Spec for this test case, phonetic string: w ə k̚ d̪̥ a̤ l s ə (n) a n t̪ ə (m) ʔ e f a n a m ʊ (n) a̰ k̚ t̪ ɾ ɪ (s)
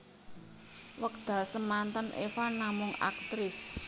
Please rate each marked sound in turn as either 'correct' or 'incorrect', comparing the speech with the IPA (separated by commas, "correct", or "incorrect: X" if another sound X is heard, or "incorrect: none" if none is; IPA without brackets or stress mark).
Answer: incorrect: m, incorrect: n, incorrect: ŋ, correct